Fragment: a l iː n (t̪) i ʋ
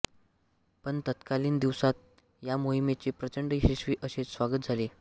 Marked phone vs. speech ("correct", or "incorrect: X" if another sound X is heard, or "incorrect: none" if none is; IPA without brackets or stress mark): incorrect: d̪